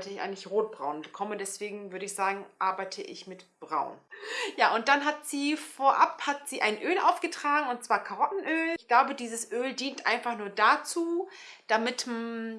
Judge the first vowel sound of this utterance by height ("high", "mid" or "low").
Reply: mid